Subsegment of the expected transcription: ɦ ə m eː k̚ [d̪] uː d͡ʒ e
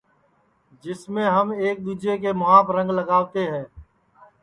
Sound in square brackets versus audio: correct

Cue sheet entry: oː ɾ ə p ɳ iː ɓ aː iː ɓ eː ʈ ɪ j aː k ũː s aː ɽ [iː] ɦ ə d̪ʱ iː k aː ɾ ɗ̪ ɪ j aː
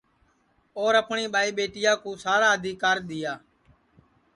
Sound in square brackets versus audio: incorrect: aː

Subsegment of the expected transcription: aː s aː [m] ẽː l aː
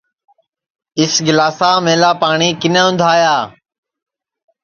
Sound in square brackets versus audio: correct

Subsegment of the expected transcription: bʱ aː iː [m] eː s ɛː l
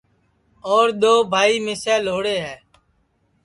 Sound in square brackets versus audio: correct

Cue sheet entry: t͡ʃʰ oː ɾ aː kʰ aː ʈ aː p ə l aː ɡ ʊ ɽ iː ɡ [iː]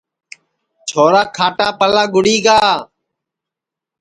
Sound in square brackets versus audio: incorrect: aː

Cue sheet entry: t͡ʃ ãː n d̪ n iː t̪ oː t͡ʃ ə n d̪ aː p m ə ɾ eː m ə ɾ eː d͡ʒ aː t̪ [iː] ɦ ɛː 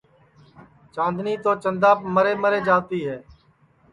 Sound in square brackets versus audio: correct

